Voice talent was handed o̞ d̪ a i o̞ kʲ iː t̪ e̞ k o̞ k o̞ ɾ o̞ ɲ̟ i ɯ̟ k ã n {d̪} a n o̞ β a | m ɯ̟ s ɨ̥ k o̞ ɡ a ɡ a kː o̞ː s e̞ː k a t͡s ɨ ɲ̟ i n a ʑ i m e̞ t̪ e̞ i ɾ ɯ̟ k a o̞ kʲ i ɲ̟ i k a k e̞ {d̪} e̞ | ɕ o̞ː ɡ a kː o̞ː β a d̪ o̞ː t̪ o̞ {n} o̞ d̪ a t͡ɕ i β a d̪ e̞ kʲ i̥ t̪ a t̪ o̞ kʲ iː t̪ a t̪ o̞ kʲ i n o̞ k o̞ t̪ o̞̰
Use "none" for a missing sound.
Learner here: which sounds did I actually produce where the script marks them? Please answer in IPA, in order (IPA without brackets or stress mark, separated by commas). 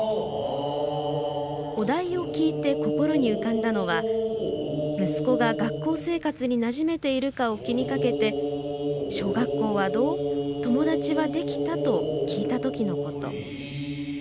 d̪, t̪, m